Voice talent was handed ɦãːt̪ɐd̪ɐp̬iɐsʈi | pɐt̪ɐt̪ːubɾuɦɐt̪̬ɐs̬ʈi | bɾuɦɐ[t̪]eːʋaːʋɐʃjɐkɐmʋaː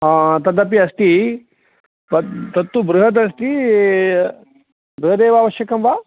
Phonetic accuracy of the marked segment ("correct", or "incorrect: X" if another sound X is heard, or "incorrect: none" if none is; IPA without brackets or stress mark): incorrect: d̪